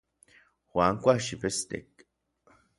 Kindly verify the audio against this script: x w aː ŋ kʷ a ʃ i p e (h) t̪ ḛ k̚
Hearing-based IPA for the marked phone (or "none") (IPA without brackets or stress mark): s